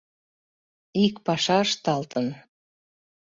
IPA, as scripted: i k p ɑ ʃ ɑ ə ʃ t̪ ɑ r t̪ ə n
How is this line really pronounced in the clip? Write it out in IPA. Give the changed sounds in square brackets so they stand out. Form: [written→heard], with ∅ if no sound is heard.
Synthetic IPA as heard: i k p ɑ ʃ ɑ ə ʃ t̪ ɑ [r→l] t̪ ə n